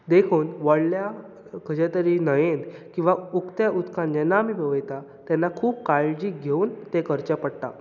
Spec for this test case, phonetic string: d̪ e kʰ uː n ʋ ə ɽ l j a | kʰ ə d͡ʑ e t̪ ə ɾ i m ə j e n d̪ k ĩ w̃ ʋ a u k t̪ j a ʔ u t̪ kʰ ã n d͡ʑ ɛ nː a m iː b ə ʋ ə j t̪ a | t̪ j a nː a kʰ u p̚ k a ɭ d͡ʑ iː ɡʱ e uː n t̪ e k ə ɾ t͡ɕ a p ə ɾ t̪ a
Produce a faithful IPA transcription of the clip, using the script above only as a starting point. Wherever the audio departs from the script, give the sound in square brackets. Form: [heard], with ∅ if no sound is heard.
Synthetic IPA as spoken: d̪ e kʰ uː n ʋ ə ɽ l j a | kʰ ə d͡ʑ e t̪ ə ɾ i [n] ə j e n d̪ k ĩ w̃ ʋ a u k t̪ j a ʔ u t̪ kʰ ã n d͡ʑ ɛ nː a m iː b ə ʋ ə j t̪ a | t̪ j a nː a kʰ [uː] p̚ k a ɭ d͡ʑ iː ɡʱ e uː n t̪ e k ə ɾ t͡ɕ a p ə [ɽ] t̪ a